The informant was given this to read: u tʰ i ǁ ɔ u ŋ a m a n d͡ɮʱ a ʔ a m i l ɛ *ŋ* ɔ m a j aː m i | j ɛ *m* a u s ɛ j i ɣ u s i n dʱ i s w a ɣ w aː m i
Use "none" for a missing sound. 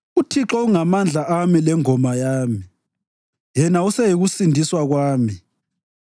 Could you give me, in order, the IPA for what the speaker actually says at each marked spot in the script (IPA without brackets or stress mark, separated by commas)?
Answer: ŋ, n